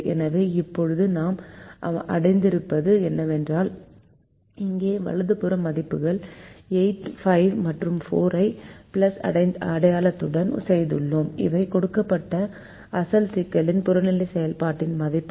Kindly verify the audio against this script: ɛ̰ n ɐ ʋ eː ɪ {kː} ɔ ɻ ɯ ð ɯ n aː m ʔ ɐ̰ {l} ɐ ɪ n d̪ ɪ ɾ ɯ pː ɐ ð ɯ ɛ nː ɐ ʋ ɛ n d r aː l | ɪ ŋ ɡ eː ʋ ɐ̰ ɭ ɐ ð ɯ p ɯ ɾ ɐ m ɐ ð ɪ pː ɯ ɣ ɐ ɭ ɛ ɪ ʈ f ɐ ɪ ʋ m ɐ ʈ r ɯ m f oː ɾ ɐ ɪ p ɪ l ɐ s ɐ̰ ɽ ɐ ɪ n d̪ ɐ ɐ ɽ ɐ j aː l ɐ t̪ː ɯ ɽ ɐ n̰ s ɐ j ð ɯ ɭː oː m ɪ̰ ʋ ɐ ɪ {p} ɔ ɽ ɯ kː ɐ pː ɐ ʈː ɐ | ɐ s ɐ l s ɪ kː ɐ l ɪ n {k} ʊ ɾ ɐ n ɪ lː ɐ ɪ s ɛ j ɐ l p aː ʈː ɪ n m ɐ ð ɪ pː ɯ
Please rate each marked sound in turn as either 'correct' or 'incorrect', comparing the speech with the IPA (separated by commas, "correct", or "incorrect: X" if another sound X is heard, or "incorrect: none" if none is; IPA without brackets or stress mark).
incorrect: pː, incorrect: ɽ, incorrect: k, incorrect: p